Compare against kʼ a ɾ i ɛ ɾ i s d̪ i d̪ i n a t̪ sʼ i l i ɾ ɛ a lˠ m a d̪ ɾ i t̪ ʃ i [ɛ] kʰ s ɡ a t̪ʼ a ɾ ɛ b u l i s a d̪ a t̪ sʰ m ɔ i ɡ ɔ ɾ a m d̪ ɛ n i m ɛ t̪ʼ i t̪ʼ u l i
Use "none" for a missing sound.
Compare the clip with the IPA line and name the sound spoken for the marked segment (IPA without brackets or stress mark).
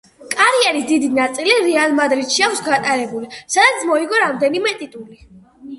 a